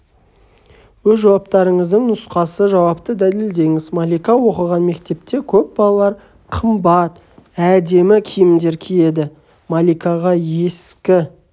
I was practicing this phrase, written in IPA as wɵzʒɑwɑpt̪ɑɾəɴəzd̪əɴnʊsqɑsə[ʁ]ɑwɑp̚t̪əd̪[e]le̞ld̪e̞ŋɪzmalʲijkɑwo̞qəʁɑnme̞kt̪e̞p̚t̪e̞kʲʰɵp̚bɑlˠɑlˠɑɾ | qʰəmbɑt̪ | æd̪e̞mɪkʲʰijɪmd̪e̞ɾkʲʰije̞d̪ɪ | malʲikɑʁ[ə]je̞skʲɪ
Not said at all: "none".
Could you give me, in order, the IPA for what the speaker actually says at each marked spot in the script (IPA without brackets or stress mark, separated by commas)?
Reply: ʒ, æ, ɑ